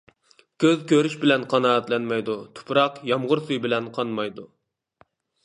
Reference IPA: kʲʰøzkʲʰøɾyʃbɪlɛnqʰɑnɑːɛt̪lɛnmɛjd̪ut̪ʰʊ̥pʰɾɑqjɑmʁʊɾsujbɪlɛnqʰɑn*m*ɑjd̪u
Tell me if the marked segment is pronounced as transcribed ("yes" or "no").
yes